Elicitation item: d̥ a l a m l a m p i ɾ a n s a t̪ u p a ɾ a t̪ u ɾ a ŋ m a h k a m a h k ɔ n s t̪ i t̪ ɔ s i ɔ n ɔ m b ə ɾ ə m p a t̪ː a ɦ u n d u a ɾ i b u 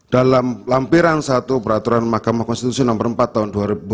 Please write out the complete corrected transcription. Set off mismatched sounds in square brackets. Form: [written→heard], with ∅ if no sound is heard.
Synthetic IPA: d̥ a l a m l a m p i ɾ a n s a t̪ u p [a→ə] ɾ a t̪ u ɾ a [ŋ→n] m a h k a m a h k ɔ n s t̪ i t̪ [ɔ→u] s i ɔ n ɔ m b ə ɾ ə m p a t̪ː a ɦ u n d u a ɾ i b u